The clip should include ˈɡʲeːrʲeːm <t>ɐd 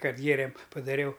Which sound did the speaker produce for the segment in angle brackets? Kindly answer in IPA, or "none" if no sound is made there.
p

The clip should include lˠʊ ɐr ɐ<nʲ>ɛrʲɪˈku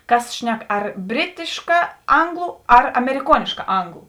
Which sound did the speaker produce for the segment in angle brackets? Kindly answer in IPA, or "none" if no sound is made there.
mʲ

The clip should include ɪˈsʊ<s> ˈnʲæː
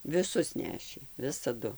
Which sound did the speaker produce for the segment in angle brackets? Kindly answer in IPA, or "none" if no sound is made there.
s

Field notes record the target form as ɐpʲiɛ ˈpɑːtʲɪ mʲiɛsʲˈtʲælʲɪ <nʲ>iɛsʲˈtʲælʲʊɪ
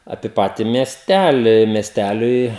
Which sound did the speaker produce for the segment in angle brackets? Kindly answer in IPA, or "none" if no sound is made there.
mʲ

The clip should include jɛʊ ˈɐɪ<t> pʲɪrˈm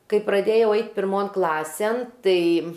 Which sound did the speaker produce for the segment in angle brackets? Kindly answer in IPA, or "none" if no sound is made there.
t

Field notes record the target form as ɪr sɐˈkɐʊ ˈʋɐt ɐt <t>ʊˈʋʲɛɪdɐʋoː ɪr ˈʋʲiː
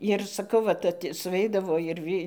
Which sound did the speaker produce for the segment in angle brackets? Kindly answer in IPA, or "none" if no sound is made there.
s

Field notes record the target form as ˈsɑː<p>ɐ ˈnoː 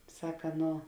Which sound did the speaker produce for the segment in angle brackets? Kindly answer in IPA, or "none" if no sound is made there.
k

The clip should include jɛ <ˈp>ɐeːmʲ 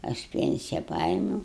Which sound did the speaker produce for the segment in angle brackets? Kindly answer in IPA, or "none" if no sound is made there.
p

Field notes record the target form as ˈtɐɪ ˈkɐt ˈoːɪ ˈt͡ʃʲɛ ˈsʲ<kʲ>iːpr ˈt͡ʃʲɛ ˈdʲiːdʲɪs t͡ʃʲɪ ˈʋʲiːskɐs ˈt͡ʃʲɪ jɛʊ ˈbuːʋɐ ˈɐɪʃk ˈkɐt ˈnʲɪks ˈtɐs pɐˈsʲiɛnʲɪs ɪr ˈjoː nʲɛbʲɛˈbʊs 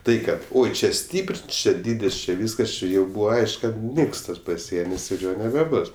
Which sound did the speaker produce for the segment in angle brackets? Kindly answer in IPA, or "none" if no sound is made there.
tʲ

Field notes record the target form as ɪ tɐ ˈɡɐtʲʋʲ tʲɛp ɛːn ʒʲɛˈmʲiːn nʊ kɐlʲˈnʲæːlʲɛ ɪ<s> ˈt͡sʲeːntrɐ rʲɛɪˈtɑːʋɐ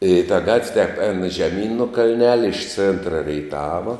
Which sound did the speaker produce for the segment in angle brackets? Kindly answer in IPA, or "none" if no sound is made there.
ʃ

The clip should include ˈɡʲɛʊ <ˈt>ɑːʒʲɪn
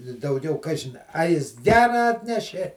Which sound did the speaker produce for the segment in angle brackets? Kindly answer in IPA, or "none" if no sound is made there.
k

